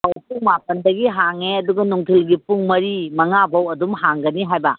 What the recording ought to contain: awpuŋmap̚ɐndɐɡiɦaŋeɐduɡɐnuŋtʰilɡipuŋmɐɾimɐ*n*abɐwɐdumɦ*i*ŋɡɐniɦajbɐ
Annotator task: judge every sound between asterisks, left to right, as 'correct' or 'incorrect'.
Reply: incorrect, incorrect

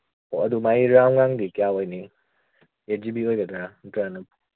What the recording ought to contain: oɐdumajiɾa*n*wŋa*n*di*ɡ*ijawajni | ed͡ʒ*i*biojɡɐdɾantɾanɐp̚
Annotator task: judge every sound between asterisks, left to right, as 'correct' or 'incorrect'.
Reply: incorrect, incorrect, incorrect, correct

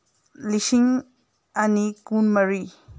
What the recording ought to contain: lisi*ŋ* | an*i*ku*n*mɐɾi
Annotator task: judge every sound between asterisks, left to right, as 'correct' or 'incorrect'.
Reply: correct, correct, correct

